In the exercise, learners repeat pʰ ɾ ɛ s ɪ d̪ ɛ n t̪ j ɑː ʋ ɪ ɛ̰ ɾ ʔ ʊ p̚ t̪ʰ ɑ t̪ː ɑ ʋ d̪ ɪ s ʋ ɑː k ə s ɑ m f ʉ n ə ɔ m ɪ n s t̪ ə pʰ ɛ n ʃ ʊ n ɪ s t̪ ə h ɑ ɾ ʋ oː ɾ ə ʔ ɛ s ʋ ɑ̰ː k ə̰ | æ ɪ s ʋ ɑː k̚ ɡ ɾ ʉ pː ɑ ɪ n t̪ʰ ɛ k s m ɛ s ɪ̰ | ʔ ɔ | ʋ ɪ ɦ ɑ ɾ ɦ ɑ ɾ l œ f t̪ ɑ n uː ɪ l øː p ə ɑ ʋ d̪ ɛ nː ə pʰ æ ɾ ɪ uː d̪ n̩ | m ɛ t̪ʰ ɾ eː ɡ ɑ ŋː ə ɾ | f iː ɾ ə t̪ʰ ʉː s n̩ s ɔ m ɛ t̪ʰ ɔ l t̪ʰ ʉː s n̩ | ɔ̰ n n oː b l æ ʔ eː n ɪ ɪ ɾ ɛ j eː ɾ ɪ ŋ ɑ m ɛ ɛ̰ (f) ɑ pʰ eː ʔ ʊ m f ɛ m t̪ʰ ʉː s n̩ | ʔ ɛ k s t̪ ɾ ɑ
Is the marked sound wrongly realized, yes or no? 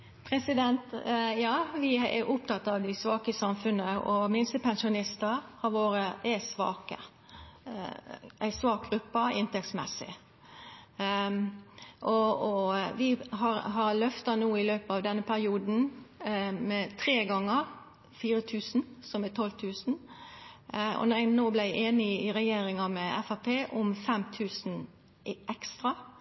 no